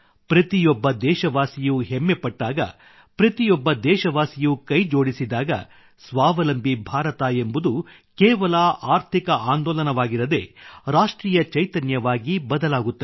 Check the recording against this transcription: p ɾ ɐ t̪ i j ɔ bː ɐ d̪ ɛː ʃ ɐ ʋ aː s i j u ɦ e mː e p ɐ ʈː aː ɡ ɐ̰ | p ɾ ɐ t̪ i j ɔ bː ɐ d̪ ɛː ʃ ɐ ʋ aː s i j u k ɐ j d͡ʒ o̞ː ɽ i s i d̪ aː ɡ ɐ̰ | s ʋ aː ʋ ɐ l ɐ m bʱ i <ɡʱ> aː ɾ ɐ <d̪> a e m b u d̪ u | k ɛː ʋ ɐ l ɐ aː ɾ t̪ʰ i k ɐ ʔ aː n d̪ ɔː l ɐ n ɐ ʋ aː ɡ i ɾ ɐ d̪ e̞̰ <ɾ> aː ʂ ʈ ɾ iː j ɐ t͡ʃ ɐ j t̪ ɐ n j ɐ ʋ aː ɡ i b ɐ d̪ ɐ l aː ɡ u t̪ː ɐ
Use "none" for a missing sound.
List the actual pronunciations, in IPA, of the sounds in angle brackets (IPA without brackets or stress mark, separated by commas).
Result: bʱ, t̪, ɾ